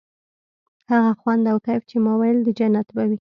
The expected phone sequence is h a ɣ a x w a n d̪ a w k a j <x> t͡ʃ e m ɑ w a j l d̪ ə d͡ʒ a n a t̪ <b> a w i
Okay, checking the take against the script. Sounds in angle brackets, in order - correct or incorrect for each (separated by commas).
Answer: incorrect, correct